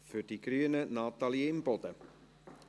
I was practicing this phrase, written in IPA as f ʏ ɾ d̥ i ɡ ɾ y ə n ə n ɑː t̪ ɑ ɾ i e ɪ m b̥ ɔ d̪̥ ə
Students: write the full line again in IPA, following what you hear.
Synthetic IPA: f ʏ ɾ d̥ i ɡ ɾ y ə n ə n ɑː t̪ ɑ l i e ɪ m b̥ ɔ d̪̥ ə